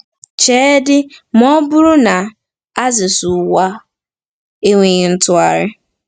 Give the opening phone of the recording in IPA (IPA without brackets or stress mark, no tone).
t͡ʃ